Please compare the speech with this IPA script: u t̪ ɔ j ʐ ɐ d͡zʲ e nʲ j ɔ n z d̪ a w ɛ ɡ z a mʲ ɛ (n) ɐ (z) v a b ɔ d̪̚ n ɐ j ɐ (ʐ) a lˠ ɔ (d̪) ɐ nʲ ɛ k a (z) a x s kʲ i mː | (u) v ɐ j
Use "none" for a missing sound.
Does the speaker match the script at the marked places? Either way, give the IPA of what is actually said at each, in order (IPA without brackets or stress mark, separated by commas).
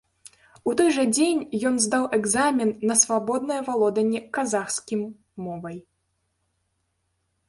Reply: nː, s, v, d̪, z, ɔ